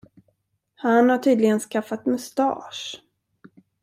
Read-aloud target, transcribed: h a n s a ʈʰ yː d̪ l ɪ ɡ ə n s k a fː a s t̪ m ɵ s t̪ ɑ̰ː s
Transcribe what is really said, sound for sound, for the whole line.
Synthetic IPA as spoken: h a n h a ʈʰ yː d̪ l ɪ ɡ ə n s k a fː a t̪ m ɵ s t̪ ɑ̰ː ʂ